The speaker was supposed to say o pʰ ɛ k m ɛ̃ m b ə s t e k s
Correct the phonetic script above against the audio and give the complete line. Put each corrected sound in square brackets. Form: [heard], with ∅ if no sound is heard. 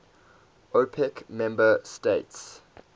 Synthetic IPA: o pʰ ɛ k m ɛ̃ m b ə s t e [t] s